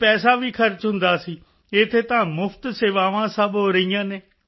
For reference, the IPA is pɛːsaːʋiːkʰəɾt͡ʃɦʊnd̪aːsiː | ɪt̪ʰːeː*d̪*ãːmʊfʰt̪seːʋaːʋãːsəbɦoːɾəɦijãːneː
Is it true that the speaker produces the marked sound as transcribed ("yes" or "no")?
no